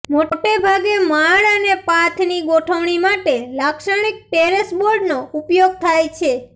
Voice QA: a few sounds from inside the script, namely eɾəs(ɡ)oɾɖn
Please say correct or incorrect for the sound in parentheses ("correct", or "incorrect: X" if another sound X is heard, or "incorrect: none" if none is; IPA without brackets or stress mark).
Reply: incorrect: b